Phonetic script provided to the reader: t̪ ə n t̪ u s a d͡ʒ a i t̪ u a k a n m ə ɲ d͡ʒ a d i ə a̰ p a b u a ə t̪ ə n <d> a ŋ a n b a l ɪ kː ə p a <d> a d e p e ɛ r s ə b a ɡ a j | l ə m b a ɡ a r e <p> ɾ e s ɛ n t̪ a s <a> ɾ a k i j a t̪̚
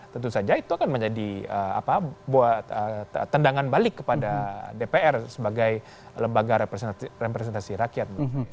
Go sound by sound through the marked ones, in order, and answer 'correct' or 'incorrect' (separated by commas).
correct, correct, correct, incorrect